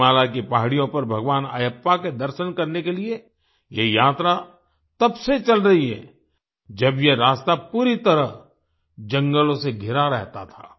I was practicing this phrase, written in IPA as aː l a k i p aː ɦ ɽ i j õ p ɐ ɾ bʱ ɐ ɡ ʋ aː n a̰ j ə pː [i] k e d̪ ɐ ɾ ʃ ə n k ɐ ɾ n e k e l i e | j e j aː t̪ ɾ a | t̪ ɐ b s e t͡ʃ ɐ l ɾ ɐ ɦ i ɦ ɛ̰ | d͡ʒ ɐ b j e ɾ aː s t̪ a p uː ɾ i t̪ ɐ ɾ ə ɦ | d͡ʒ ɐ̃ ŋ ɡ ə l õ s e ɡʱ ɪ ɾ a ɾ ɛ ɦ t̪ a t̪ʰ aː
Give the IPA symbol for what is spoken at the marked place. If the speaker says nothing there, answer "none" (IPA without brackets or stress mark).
a